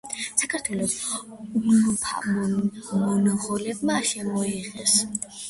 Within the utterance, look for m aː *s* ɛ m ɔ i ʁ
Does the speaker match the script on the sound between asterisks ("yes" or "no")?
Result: no